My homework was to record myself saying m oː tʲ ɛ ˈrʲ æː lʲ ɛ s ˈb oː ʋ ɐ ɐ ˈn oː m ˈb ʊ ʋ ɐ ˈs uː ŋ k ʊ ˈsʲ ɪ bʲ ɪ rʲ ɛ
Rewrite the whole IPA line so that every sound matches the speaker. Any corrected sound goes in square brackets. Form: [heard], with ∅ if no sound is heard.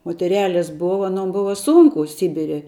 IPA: m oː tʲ ɛ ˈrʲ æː lʲ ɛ s ˈb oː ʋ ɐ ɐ ˈn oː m ˈb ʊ ʋ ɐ ˈs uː ŋ k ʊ ˈsʲ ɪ bʲ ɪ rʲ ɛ

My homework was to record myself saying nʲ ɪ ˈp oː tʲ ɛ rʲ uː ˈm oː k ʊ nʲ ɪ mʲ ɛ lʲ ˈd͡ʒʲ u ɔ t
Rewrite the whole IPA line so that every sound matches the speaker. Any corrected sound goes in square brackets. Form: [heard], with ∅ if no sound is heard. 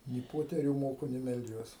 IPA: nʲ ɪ ˈp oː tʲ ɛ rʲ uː ˈm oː k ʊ nʲ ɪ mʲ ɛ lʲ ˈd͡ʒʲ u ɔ [s]

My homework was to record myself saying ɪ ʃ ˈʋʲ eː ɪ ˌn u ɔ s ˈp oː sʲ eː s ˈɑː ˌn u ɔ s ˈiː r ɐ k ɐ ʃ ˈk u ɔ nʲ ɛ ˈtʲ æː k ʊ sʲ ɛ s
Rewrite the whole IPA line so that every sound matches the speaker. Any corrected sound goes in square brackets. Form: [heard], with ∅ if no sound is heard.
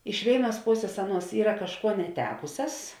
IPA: ɪ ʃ ˈʋʲ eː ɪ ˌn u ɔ s ˈp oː sʲ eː s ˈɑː ˌn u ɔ s ˈiː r ɐ k ɐ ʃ ˈk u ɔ nʲ ɛ ˈtʲ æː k ʊ sʲ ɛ s

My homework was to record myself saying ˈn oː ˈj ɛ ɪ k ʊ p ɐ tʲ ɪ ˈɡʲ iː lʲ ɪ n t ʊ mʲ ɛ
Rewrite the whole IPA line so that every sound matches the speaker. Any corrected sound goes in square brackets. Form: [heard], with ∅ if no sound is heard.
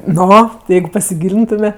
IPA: ˈn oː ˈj ɛ ɪ [ɡ] ʊ p ɐ [sʲ] ɪ ˈɡʲ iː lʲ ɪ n t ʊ mʲ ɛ

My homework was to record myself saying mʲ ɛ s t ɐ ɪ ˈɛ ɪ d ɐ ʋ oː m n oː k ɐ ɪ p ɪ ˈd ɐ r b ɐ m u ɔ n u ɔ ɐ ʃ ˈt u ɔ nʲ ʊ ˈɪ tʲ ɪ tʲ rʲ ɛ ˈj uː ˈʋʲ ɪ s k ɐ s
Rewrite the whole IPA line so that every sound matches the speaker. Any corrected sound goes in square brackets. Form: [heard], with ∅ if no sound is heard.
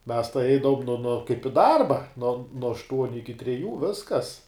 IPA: mʲ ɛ s t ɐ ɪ ˈɛ ɪ d ɐ ʋ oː m n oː k ɐ ɪ p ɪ ˈd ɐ r b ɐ [n] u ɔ n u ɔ ɐ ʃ ˈt u ɔ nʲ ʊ ˈɪ [kʲ] ɪ tʲ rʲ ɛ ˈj uː ˈʋʲ ɪ s k ɐ s

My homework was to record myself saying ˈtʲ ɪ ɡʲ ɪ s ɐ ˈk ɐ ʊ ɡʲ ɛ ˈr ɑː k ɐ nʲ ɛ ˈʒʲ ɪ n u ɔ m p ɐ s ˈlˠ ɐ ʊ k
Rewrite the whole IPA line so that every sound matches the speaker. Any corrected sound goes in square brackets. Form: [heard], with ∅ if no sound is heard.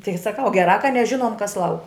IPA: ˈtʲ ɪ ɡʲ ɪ s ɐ ˈk ɐ ʊ ɡʲ ɛ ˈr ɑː k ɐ nʲ ɛ ˈʒʲ ɪ n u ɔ m [k] ɐ s ˈlˠ ɐ ʊ k

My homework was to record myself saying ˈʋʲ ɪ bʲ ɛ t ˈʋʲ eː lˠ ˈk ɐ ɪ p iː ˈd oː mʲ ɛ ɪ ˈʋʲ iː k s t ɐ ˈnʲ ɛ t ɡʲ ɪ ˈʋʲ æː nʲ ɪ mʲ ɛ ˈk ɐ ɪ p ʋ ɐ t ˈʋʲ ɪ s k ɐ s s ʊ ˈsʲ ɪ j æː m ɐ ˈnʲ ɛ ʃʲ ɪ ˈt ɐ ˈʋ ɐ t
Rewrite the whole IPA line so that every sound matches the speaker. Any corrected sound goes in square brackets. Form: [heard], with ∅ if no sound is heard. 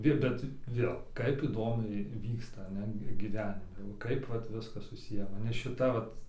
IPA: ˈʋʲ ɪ bʲ ɛ t ˈʋʲ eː lˠ ˈk ɐ ɪ p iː ˈd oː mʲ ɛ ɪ ˈʋʲ iː k s t ɐ ˈnʲ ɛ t ɡʲ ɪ ˈʋʲ æː nʲ ɪ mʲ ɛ ˈk ɐ ɪ p ʋ ɐ t ˈʋʲ ɪ s k ɐ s s ʊ ˈsʲ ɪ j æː m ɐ ˈnʲ ɛ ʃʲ ɪ ˈt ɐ ˈʋ ɐ t

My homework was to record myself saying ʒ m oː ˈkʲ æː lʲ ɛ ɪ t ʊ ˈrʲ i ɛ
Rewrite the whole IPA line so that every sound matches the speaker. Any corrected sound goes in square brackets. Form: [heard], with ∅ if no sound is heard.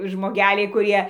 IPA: ʒ m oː [ˈɡʲ] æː lʲ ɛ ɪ [k] ʊ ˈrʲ i ɛ

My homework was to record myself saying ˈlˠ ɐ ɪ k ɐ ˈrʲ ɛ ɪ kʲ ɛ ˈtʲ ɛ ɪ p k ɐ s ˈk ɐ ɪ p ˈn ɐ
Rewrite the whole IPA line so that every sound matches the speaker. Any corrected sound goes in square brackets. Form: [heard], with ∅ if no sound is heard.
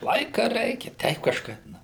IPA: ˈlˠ ɐ ɪ k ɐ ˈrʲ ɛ ɪ kʲ ɛ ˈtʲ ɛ ɪ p k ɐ [ʃ] ˈk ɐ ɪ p ˈn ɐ

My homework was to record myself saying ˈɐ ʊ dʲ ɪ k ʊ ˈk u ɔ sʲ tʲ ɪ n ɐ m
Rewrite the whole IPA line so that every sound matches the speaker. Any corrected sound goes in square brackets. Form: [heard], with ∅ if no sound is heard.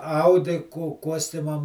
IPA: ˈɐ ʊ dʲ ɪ k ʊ ˈk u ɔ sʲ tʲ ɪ [m] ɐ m

